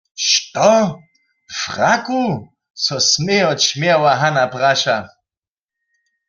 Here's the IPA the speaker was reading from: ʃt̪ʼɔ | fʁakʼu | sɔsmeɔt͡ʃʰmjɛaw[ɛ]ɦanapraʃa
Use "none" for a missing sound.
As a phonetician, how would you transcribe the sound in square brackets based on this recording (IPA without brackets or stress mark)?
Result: a